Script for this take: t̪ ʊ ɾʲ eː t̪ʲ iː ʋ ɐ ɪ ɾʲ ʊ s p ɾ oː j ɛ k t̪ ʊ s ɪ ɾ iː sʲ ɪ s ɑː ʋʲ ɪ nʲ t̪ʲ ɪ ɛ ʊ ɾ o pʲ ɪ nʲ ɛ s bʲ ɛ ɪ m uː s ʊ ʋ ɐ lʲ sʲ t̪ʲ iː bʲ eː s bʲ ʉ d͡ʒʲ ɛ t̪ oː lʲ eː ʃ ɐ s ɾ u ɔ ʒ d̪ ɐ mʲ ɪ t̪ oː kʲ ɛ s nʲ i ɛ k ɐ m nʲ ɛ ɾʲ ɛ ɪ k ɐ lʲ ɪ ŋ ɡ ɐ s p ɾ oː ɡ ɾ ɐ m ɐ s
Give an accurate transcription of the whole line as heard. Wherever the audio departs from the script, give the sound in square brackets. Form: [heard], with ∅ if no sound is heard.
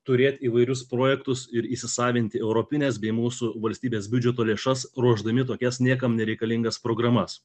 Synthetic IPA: t̪ ʊ ɾʲ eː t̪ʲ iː ʋ ɐ ɪ ɾʲ ʊ s p ɾ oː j ɛ k t̪ ʊ s ɪ ɾ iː sʲ ɪ s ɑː ʋʲ ɪ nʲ t̪ʲ ɪ ɛ ʊ ɾ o pʲ ɪ nʲ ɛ s bʲ ɛ ɪ m uː s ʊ ʋ ɐ lʲ sʲ t̪ʲ iː bʲ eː s bʲ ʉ d͡ʒʲ ɛ t̪ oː lʲ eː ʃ ɐ s ɾ u ɔ ʒ d̪ ɐ mʲ ɪ t̪ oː kʲ ɛ s nʲ i ɛ k ɐ m nʲ ɛ ɾʲ ɛ ɪ k ɐ lʲ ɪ ŋ ɡ ɐ s p ɾ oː ɡ ɾ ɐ m ɐ s

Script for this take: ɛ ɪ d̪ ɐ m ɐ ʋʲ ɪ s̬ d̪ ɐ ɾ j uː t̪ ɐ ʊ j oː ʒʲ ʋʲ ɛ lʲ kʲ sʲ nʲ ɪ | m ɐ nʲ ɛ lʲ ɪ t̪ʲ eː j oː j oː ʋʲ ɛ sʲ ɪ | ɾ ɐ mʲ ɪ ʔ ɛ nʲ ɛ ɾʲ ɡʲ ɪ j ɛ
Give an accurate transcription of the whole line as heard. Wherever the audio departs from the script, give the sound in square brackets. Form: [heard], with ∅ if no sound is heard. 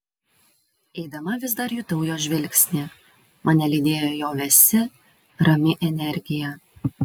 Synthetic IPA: ɛ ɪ d̪ ɐ m ɐ ʋʲ ɪ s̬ d̪ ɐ ɾ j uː t̪ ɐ ʊ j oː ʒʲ ʋʲ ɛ lʲ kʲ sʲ nʲ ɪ | m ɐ nʲ ɛ lʲ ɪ [d̪ʲ] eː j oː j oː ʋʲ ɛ sʲ ɪ | ɾ ɐ mʲ ɪ ʔ ɛ nʲ ɛ ɾʲ ɡʲ ɪ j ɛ

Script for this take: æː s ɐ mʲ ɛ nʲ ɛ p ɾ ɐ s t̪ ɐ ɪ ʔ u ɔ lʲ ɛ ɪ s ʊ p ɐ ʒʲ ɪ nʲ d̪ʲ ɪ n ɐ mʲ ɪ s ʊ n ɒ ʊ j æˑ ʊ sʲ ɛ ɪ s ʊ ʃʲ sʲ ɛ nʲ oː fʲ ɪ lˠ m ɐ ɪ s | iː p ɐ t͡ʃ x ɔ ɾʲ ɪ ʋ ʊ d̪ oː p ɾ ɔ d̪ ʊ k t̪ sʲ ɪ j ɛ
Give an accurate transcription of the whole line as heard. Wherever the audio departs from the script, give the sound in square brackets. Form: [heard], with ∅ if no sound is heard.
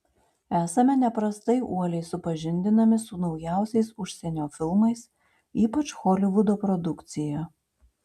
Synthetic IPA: æː s ɐ mʲ ɛ nʲ ɛ p ɾ ɐ s t̪ ɐ ɪ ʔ u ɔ lʲ ɛ ɪ s ʊ p ɐ ʒʲ ɪ nʲ d̪ʲ ɪ n ɐ mʲ ɪ s ʊ n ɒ ʊ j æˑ ʊ sʲ ɛ ɪ s ʊ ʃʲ sʲ ɛ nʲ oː fʲ ɪ lˠ m ɐ ɪ s | iː p ɐ t͡ʃ x ɔ [lʲ] ɪ ʋ ʊ d̪ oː p ɾ ɔ d̪ ʊ k t̪ sʲ ɪ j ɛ

